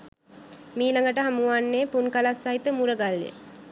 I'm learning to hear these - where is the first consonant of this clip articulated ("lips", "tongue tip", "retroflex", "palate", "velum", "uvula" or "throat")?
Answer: lips